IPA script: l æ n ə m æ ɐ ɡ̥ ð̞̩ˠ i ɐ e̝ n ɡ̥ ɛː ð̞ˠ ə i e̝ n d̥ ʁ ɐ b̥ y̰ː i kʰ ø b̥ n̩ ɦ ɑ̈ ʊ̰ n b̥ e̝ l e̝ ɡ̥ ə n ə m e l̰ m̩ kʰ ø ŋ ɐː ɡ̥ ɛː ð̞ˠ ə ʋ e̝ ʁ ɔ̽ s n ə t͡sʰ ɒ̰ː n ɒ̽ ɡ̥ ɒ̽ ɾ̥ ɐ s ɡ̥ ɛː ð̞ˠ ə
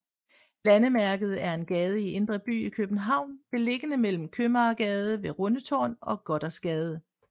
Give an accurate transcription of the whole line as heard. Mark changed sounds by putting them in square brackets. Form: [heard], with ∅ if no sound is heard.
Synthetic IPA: l æ n ə m æ ɐ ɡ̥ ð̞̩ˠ [æ] ɐ e̝ n ɡ̥ ɛː ð̞ˠ ə i e̝ n d̥ ʁ ɐ b̥ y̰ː i kʰ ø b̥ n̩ ɦ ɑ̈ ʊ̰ n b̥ e̝ l e̝ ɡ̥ ə n ə m e l̰ m̩ kʰ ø [m] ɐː ɡ̥ ɛː ð̞ˠ ə ʋ e̝ ʁ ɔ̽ [∅] n ə t͡sʰ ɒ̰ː n ɒ̽ ɡ̥ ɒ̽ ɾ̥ ɐ s ɡ̥ ɛː ð̞ˠ ə